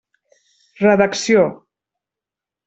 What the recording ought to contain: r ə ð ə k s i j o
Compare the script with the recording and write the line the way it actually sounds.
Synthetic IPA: r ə ð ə k s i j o

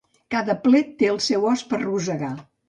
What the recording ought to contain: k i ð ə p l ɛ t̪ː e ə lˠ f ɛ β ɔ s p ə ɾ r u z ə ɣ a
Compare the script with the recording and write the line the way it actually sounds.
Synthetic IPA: k a ð ə p l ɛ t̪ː e ə lˠ s ɛ w ɔ s p ə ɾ r u z ə ɣ a

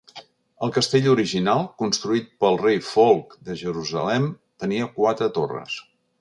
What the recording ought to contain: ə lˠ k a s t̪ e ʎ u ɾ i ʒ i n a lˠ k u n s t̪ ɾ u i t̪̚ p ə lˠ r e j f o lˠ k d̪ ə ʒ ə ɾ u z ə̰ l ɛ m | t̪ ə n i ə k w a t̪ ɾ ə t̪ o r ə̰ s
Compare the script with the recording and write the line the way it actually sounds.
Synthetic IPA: ə lˠ k ə s t̪ e ʎ u ɾ i ʒ i n a lˠ k u n s t̪ ɾ u i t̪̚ p ə lˠ r e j f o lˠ k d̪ ə ʒ ə ɾ u z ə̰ l ɛ m | t̪ ə n i ə k w a t̪ ɾ ə t̪ o r ə̰ s

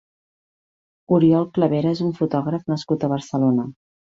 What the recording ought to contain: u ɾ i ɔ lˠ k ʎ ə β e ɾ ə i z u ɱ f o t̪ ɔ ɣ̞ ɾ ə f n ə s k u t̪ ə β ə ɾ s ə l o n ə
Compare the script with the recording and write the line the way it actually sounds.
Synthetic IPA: u ɾ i ɔ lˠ k l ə β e ɾ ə e z u ɱ f u t̪ ɔ ɣ̞ ɾ ə f n ə s k u t̪ ə β ə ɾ s ə l o n ə

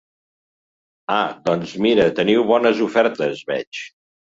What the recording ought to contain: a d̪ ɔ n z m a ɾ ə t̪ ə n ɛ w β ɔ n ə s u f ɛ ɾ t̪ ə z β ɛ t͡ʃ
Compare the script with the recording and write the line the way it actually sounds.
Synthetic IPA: a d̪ ɔ n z m i ɾ ə t̪ ə n i w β ɔ n ə z u f ɛ ɾ t̪ ə z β ɛ t͡ʃ

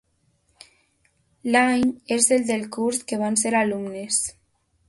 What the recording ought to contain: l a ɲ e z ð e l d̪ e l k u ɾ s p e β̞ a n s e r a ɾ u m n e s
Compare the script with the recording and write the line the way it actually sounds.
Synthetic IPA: l a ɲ e z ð e l d̪ e l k u ɾ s k e β̞ a n s e ɾ a l u m n e s

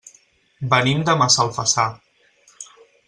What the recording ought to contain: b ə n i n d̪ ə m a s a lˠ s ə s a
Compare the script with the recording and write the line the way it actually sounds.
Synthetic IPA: b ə n i m d̪ ə m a s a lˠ f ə s a

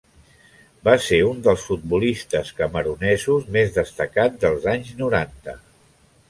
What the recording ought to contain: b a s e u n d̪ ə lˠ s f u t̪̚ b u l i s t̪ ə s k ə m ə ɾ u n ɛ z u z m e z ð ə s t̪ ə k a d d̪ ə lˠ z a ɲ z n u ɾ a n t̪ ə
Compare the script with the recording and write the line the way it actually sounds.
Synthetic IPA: b a s e u n d̪ ə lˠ s f u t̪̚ b u l i s t̪ ə s k ə m ə ɾ u n ɛ z u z m e z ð ə s t̪ ə k a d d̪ ə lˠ z a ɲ z n u ɾ a n t̪ ə

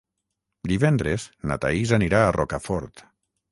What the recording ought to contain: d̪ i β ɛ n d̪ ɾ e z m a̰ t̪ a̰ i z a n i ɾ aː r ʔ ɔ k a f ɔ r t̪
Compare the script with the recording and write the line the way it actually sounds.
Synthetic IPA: d̪ i β ɛ n d̪ ɾ e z n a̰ t̪ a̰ i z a n i ɾ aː r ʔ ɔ k a f ɔ ɾ t̪

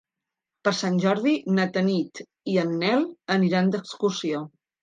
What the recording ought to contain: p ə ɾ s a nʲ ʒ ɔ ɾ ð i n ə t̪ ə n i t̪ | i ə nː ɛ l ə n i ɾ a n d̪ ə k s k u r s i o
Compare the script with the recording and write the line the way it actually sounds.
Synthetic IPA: p ə ɾ s a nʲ ʒ ɔ ɾ ð i n ə t̪ ə n i t̪ | i ə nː ɛ l ə n i ɾ a n d̪ ə k s k u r s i o

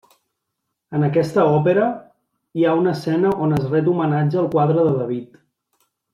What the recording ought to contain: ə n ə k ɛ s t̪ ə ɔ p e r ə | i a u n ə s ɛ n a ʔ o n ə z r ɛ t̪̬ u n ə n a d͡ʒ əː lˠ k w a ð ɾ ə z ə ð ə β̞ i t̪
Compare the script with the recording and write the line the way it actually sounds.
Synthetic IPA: ə n ə k ɛ s t̪ ə ɔ p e ɾ ə | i a u n ə s ɛ n ə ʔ o n ə z r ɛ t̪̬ u m ə n a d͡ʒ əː lˠ k w a ð ɾ ə ð ə ð ə β̞ i t̪

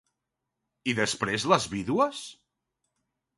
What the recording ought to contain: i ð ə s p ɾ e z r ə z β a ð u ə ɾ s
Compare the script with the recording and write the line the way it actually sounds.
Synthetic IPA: i ð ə s p ɾ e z l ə z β i ð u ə s

